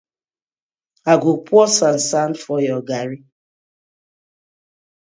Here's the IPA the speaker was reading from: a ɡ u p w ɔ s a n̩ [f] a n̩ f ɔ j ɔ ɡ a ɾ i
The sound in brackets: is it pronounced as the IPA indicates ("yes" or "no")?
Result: no